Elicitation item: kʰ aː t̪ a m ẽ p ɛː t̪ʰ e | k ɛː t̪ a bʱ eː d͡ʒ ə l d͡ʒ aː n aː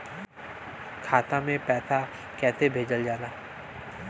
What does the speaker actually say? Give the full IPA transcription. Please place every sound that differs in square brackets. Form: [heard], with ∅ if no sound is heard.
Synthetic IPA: kʰ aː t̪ a m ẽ p ɛː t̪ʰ [a] | k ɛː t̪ [e] bʱ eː d͡ʒ ə l d͡ʒ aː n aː